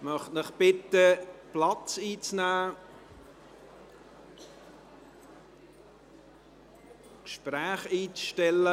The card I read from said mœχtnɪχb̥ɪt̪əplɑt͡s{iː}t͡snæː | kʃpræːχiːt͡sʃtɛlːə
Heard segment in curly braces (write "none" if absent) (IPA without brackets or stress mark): iː